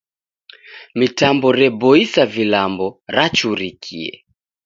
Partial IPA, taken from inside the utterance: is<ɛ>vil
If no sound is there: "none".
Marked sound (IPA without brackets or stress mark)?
a